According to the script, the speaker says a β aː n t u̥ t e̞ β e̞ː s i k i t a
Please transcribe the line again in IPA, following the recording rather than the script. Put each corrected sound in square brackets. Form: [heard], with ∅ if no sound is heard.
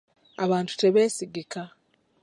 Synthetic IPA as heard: a β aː n t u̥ t e̞ β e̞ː s i [ɡ] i [k] a